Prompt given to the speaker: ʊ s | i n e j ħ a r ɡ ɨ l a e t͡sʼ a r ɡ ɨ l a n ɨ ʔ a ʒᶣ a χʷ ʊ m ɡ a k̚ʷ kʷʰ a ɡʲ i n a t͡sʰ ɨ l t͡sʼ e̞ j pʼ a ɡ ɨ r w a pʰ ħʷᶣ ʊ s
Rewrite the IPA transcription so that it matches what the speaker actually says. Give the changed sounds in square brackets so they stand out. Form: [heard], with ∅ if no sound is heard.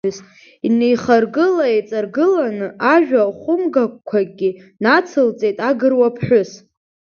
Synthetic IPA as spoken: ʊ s | i n e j [χ] a r ɡ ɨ l a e t͡sʼ a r ɡ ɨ l a n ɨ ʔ a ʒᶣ a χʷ ʊ m ɡ a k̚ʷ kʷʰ a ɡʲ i n a t͡sʰ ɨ l t͡sʼ e̞ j [tʼ] a ɡ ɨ r w a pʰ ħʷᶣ ʊ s